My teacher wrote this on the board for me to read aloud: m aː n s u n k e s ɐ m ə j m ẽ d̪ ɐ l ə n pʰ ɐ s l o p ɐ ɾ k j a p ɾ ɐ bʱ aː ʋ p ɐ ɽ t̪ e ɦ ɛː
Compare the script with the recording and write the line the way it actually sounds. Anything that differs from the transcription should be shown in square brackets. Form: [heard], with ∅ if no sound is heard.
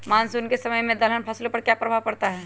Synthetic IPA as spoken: m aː n s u n k e s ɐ m ə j m ẽ d̪ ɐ l ə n pʰ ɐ s l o p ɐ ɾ k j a p ɾ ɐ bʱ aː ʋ p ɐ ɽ t̪ [a] ɦ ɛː